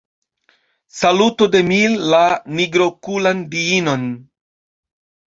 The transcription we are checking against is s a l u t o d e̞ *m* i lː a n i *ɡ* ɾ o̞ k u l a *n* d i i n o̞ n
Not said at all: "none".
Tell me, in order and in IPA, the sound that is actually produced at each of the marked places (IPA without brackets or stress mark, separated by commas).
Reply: m, ɡ, n